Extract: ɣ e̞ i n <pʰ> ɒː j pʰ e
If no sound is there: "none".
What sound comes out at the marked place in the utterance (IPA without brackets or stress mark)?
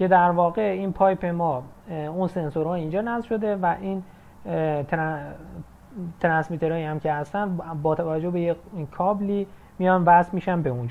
pʰ